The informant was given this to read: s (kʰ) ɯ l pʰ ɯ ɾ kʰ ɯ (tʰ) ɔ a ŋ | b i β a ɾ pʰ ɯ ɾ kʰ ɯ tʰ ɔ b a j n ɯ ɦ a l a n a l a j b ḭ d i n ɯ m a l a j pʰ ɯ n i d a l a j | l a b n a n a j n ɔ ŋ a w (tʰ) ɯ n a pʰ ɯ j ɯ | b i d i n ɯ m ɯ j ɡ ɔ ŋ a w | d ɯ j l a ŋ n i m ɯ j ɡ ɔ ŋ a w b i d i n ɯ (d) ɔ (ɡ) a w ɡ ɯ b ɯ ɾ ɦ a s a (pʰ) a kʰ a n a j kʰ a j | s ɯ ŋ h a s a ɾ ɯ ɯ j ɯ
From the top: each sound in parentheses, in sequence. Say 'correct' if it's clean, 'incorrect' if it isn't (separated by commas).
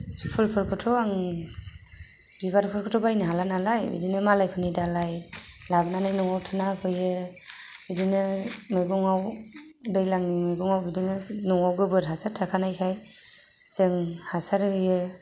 incorrect, correct, correct, incorrect, incorrect, incorrect